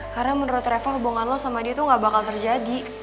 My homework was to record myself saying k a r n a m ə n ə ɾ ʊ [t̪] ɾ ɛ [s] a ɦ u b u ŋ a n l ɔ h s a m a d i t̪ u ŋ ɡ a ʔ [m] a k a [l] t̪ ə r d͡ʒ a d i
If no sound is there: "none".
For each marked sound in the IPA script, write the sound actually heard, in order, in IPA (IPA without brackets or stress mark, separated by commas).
t̪, f, b, l